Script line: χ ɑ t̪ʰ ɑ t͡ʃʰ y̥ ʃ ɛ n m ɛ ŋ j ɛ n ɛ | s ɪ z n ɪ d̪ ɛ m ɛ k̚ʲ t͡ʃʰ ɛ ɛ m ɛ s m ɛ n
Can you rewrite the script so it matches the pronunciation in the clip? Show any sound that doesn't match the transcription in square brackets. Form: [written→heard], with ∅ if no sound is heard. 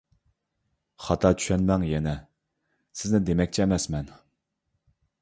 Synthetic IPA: χ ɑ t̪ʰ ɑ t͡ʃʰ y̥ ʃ ɛ n m ɛ ŋ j ɛ n ɛ | s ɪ z n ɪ d̪ [ɛ→e] m ɛ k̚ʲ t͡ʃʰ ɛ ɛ m ɛ s m ɛ n